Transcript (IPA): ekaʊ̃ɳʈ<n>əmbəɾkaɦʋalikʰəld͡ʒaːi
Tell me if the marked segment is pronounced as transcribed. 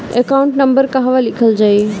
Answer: yes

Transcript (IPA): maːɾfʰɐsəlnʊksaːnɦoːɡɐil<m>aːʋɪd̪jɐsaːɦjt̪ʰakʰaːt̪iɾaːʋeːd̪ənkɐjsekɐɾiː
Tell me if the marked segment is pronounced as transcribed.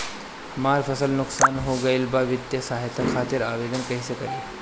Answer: no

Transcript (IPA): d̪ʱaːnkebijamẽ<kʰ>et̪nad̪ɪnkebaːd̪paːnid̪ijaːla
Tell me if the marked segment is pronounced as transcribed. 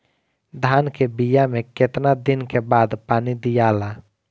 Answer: no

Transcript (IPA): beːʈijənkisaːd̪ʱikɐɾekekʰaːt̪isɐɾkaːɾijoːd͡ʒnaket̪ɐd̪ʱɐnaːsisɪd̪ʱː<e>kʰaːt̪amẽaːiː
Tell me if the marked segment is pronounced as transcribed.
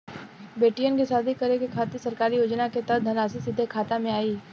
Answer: yes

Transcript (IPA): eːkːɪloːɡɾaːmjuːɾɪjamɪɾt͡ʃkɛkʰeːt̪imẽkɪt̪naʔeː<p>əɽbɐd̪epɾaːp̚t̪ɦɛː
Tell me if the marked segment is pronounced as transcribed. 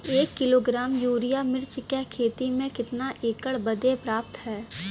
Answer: no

